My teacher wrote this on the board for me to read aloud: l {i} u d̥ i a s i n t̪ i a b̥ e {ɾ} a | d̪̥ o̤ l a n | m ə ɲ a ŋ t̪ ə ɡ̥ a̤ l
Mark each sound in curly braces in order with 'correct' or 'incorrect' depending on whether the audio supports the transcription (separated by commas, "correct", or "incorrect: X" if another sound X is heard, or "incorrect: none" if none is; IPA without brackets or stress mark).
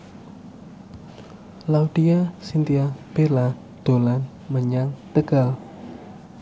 incorrect: a, incorrect: l